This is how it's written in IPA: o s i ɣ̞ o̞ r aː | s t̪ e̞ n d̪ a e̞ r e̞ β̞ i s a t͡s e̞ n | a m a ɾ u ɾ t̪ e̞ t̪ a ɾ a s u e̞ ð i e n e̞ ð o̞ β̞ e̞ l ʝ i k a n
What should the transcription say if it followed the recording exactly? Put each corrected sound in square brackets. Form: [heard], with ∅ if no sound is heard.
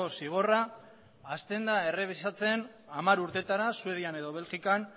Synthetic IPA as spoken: o s i ɣ̞ o̞ r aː | s t̪ e̞ n d̪ a e̞ r e̞ β̞ i s a t͡s e̞ n | a m a ɾ u ɾ t̪ e̞ t̪ a ɾ a s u e̞ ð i [a] n e̞ ð o̞ β̞ e̞ l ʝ i k a n

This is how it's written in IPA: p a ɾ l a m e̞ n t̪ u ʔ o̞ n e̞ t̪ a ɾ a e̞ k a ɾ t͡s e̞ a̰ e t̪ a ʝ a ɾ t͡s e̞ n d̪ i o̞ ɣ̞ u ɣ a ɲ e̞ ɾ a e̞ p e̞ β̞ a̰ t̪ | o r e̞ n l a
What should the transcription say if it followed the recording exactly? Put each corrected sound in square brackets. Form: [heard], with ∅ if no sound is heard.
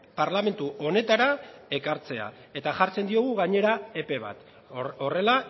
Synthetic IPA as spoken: p a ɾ l a m e̞ n t̪ u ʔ o̞ n e̞ t̪ a ɾ a e̞ k a ɾ t͡s e̞ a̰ e t̪ a ʝ a ɾ t͡s e̞ n d̪ i o̞ ɣ̞ u ɣ a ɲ e̞ ɾ a e̞ p e̞ β̞ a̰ t̪ | o r e̞ [∅] l a

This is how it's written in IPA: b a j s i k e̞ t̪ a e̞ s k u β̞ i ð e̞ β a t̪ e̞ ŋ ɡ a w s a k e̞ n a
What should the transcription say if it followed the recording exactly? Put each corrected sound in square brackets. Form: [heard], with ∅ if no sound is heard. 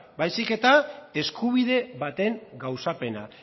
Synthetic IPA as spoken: b a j s i k e̞ t̪ a e̞ s k u β̞ i ð e̞ β a t̪ e̞ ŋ ɡ a w s a [p] e̞ n a

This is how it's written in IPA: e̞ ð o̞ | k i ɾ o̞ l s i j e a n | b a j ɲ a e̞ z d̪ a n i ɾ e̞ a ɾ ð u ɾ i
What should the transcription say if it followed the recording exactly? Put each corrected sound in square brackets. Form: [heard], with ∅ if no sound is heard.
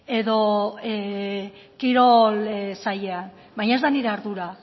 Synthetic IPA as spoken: e̞ ð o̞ | k i ɾ o̞ l s [a] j e a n | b a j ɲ a e̞ z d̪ a n i ɾ e̞ a ɾ ð u ɾ [a]

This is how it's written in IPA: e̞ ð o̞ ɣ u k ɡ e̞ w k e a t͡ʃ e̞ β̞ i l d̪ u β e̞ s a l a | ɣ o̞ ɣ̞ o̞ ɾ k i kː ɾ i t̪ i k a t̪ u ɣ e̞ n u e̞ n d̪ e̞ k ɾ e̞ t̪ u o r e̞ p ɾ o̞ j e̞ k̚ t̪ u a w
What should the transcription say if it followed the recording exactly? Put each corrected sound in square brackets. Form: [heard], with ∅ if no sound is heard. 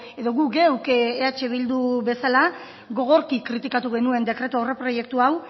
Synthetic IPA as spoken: e̞ ð o̞ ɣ u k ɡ e̞ w k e a t͡ʃ e̞ β̞ i l d̪ u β e̞ s a l a | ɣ o̞ ɣ̞ o̞ ɾ k i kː ɾ i t̪ i k a t̪ u ɣ e̞ n u e̞ n d̪ e̞ k ɾ e̞ t̪ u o r e̞ p ɾ o̞ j e̞ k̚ t̪ u a w

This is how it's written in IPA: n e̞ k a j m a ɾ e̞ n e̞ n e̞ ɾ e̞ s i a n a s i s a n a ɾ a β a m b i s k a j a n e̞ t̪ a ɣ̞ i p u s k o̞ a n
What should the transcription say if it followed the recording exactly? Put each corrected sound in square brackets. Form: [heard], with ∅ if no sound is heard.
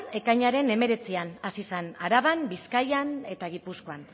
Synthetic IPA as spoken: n e̞ k a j [ɲ] a ɾ e̞ n e̞ [m] e̞ ɾ e̞ [t͡s] i a n a s i s a n a ɾ a β a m b i s k a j a n e̞ t̪ a ɣ̞ i p u s k o̞ a n

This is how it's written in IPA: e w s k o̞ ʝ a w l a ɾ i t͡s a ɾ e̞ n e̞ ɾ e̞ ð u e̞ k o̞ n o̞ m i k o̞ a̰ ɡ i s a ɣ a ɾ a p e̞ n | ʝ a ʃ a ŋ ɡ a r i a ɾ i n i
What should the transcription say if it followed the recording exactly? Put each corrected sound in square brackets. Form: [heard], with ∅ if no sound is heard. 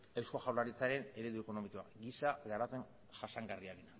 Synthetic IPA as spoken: e w s k o̞ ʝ a w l a ɾ i t͡s a ɾ e̞ n e̞ ɾ e̞ ð u e̞ k o̞ n o̞ m i k o̞ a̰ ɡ i s a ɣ a ɾ a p e̞ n | ʝ a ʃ a ŋ ɡ a r i a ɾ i n [a]

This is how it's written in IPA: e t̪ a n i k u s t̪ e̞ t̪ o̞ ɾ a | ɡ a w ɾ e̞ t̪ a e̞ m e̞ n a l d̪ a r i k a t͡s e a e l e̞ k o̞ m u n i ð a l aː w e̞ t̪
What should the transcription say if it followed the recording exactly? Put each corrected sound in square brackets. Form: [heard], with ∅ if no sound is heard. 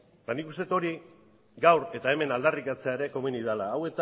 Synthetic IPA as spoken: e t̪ a n i k u s t̪ e̞ t̪ o̞ ɾ [i] | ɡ a w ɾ e̞ t̪ a e̞ m e̞ n a l d̪ a r i k a t͡s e a e [ɾ] e̞ k o̞ m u n i ð a l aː w e̞ t̪

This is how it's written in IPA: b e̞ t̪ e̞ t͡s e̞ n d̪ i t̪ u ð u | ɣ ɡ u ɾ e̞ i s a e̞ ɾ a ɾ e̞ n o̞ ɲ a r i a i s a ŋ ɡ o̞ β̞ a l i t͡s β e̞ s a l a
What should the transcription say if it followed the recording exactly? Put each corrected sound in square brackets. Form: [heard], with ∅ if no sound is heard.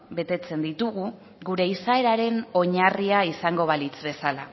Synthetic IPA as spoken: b e̞ t̪ e̞ t͡s e̞ n d̪ i t̪ u [ɣ] u | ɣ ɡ u ɾ e̞ i s a e̞ ɾ a ɾ e̞ n o̞ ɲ a r i a i s a ŋ ɡ o̞ β̞ a l i t͡s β e̞ s a l a

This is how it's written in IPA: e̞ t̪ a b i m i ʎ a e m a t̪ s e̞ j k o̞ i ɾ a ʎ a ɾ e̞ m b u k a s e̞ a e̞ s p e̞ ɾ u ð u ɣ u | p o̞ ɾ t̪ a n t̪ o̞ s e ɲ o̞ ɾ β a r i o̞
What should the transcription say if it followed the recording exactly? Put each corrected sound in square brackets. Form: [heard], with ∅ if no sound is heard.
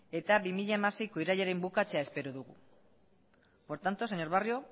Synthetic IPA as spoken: e̞ t̪ a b i m i ʎ a e m a [∅] s e̞ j k o̞ i ɾ a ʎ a ɾ e̞ m b u k a [t͡s] e̞ a e̞ s p e̞ ɾ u ð u ɣ u | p o̞ ɾ t̪ a n t̪ o̞ s e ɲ o̞ ɾ β a r i o̞

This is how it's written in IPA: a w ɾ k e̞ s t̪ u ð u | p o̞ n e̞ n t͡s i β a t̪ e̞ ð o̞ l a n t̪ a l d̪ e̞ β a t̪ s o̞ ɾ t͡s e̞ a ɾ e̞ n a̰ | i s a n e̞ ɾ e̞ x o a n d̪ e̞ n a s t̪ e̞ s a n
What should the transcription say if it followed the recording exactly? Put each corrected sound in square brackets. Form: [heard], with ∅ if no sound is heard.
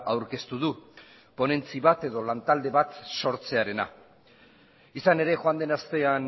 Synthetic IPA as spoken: a w ɾ k e̞ s t̪ u ð u | p o̞ n e̞ n t͡s i β a t̪ e̞ ð o̞ l a n t̪ a l d̪ e̞ β a t̪ s o̞ ɾ t͡s e̞ a ɾ e̞ n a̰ | i s a n e̞ ɾ e̞ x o a n d̪ e̞ n a s t̪ e̞ [∅] a n

